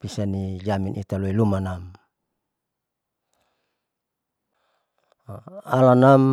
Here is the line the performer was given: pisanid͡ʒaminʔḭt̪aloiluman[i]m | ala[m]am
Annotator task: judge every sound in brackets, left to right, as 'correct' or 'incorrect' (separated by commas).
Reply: incorrect, incorrect